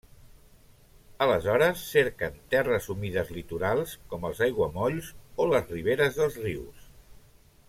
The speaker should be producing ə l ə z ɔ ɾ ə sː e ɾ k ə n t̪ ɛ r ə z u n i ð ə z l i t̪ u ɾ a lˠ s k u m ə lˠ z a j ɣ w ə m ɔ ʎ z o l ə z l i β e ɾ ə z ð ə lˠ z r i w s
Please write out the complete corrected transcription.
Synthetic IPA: ə l ə z ɔ ɾ ə sː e ɾ k ə n t̪ ɛ r ə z u m i ð ə z l i t̪ u ɾ a lˠ s k ɔ m ə lˠ z a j ɣ w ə m ɔ ʎ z o l ə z r i β e ɾ ə z ð ə lˠ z r i w s